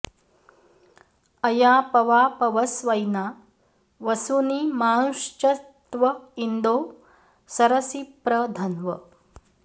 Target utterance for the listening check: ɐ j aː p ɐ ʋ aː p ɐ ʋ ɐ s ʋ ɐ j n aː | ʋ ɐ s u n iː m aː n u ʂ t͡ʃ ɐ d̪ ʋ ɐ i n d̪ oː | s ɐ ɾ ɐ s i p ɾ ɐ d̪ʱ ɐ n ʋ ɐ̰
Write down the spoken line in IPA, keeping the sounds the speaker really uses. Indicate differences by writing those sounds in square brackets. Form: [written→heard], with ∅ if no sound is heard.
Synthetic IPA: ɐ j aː p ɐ ʋ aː p ɐ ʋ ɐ s ʋ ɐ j n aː | ʋ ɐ s u n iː m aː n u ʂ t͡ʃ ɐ [d̪→t̪] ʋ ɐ i n d̪ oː | s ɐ ɾ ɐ s i p ɾ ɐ d̪ʱ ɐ n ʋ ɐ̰